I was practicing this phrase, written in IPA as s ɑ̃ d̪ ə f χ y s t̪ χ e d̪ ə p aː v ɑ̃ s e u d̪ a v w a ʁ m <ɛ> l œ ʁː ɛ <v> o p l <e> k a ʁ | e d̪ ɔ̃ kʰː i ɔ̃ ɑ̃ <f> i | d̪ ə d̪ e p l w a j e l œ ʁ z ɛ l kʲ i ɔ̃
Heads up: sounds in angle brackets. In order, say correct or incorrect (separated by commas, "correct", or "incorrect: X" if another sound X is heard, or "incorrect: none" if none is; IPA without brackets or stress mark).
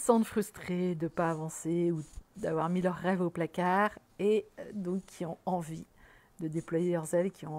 incorrect: i, correct, incorrect: a, incorrect: v